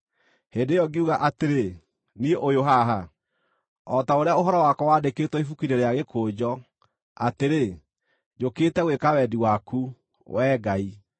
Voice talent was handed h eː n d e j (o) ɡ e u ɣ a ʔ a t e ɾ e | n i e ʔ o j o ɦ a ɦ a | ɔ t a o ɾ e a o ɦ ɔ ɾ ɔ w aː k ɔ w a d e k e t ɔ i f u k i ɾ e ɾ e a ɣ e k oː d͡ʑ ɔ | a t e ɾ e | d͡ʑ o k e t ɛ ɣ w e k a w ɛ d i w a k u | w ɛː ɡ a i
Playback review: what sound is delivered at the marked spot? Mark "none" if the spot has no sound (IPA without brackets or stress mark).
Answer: ɔ